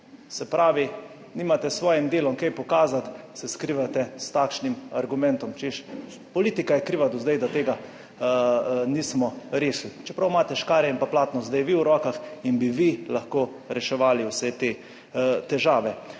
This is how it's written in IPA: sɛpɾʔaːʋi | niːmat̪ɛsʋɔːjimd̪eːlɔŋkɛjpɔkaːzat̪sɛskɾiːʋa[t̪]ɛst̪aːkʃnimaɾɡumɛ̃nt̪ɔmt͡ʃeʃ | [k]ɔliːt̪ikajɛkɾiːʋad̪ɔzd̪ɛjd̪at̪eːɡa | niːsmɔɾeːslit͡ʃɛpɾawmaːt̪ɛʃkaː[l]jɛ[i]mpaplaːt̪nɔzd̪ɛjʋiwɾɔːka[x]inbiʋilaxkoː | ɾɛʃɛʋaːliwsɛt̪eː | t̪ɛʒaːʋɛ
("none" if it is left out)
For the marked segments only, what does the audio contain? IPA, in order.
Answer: t̪, p, ɾ, i, x

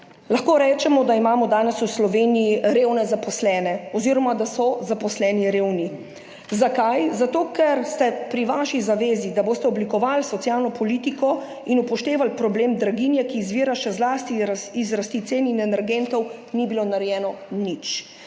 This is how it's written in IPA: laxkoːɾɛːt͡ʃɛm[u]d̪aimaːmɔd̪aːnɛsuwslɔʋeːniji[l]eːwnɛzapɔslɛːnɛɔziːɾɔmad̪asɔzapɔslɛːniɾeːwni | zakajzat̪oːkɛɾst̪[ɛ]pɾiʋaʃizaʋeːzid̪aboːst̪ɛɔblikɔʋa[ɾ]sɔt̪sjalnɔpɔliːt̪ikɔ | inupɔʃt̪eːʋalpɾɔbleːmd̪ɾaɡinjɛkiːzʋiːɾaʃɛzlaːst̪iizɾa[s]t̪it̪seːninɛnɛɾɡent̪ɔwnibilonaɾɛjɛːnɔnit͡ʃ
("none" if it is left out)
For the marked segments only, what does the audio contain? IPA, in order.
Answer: ɔ, ɾ, ɛ, l, s

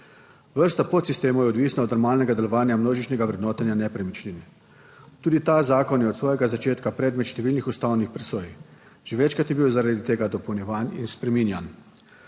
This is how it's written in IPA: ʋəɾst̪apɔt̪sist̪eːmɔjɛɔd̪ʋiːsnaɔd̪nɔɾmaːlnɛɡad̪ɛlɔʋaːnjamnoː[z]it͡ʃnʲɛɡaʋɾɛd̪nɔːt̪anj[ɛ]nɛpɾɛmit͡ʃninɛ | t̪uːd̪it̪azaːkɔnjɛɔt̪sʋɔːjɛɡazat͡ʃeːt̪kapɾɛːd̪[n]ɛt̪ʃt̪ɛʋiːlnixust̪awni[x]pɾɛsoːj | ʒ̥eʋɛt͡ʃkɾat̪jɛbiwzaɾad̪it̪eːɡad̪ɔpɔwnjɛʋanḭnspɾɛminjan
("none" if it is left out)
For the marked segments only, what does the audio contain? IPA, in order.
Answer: ʒ, a, m, x

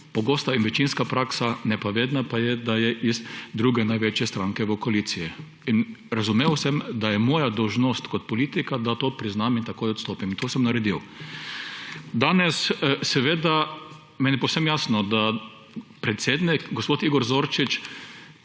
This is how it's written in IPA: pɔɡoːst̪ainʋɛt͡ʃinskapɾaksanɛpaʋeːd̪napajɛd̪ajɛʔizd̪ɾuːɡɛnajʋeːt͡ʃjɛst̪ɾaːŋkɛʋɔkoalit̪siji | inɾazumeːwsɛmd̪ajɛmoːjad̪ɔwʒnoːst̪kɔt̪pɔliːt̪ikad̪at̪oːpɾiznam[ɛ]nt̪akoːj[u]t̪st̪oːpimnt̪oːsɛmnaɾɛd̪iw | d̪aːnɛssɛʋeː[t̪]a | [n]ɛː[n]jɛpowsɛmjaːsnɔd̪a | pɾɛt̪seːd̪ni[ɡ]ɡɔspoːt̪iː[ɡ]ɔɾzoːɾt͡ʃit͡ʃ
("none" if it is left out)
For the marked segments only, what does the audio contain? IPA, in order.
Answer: i, ɔ, d̪, m, n, k, ɡ

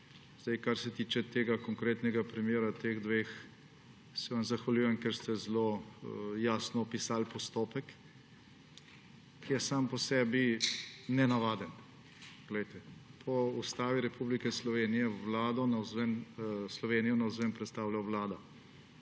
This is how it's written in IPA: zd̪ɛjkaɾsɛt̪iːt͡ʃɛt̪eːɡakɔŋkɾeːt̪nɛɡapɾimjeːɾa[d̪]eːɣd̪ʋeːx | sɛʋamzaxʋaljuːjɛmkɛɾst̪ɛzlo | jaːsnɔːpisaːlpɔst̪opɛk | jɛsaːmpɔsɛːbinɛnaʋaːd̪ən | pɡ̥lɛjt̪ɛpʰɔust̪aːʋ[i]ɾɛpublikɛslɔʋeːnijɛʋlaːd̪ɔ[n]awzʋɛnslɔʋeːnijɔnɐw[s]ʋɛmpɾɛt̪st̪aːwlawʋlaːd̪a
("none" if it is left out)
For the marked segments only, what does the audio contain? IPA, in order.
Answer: t̪, i, n, z

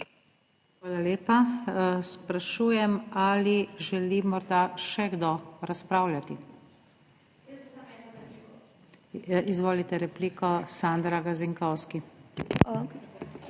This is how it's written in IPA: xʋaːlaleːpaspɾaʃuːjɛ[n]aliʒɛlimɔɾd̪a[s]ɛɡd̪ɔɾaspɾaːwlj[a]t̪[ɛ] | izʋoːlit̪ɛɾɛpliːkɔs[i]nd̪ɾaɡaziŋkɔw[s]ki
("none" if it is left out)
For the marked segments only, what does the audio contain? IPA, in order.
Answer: m, ʃ, a, i, a, s

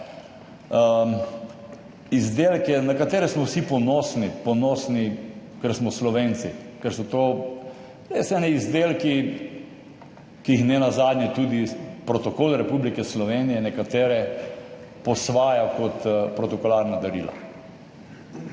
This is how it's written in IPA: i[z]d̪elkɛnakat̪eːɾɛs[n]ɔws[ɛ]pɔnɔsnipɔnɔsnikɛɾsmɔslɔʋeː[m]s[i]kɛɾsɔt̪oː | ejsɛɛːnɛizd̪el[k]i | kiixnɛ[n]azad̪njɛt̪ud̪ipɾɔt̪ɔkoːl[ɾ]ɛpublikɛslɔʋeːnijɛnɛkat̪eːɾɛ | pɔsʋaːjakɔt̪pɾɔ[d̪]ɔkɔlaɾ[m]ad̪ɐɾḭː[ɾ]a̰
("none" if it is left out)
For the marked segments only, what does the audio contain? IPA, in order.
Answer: z, m, i, n, i, k, n, ɾ, t̪, n, l

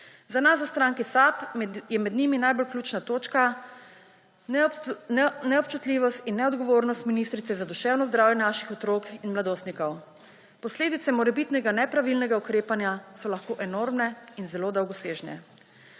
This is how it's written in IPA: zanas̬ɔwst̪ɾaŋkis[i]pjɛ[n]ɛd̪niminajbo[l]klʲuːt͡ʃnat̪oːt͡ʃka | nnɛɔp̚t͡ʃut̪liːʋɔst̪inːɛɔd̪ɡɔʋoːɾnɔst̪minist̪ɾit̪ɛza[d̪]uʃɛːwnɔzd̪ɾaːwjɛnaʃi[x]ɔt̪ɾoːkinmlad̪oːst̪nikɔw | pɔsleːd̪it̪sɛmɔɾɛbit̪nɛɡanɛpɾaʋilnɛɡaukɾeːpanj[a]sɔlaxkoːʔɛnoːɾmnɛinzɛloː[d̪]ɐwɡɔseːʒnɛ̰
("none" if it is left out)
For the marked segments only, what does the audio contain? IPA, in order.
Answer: a, m, l, d̪, x, a, d̪

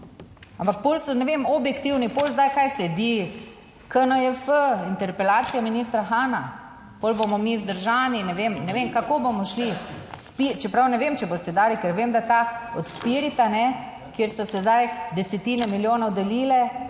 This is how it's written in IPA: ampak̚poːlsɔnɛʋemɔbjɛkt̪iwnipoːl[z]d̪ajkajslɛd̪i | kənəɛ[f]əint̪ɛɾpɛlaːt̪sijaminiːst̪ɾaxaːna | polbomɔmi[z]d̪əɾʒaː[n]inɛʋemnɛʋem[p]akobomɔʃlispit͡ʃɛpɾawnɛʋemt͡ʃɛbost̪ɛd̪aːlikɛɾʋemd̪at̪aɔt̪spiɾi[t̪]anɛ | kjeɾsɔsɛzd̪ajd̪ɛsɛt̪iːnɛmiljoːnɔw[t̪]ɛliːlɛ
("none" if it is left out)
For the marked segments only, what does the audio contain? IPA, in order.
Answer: z, f, z, n, k, t̪, d̪

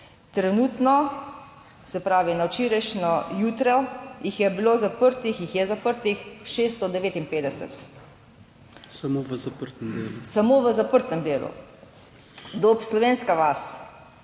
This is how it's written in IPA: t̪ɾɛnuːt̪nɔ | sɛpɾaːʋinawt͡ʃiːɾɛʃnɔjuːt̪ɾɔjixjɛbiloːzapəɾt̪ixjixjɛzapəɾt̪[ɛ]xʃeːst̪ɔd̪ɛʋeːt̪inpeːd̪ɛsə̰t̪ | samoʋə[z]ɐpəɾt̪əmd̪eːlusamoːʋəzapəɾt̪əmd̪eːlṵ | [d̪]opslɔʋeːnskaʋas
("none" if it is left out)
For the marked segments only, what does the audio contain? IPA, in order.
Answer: i, z, d̪

